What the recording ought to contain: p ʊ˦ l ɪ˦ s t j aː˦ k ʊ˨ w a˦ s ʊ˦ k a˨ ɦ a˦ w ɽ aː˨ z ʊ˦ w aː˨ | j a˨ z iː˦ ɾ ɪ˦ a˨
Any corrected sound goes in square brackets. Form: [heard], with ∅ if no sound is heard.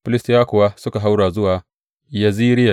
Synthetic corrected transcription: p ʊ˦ l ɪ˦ s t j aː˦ k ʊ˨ w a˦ s ʊ˦ k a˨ ɦ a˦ w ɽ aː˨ z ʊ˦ w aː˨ | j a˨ z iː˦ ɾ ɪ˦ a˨